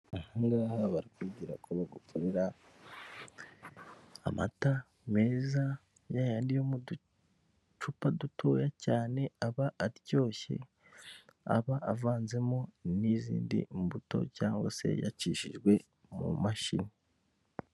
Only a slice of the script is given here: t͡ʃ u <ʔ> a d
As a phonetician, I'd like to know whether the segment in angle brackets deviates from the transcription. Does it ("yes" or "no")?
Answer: yes